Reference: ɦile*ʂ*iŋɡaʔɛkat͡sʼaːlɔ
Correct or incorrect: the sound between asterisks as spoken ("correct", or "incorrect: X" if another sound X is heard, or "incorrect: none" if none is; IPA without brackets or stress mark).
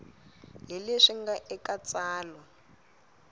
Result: correct